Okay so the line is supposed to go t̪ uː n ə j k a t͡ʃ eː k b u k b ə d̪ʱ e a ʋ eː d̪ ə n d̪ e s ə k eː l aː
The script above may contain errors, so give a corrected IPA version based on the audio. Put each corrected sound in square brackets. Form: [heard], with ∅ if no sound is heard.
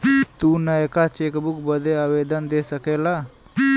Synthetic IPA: t̪ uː n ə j k a t͡ʃ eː k b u k b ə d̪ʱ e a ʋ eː d̪ ə n d̪ e s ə k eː l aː